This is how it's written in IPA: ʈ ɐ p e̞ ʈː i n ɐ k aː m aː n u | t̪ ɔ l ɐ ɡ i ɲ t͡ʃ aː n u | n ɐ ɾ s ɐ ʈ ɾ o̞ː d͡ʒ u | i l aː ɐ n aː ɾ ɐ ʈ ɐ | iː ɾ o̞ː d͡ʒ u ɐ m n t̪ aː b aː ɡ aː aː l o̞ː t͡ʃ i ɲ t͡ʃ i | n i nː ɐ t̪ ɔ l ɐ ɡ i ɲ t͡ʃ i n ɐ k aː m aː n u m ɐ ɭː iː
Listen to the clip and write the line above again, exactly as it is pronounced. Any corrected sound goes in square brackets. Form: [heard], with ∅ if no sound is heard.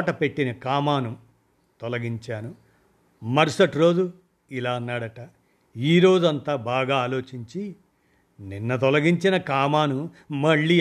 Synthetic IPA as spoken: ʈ ɐ p e̞ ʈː i n ɐ k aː m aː n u | t̪ ɔ l ɐ ɡ i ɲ t͡ʃ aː n u | [m] ɐ ɾ s ɐ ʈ ɾ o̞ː d͡ʒ u | i l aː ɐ [nː] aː [ɽ] ɐ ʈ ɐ | iː ɾ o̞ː d͡ʒ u ɐ [∅] n t̪ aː b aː ɡ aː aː l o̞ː t͡ʃ i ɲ t͡ʃ i | n i nː ɐ t̪ ɔ l ɐ ɡ i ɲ t͡ʃ i n ɐ k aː m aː n u m ɐ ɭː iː